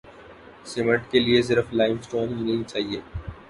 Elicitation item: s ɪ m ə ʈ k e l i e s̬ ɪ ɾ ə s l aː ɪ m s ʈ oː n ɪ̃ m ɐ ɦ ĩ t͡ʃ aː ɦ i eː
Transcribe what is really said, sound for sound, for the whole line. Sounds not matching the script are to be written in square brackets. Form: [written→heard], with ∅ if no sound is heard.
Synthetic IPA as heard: s ɪ m ə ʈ k e l i e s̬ ɪ ɾ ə [s→f] l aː ɪ m s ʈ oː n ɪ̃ [m→n] ɐ ɦ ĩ t͡ʃ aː ɦ i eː